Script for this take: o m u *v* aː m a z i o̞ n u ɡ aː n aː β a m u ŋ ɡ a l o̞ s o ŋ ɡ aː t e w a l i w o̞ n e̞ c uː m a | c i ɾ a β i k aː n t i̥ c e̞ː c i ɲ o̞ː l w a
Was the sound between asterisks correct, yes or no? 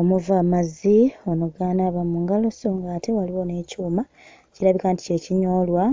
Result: yes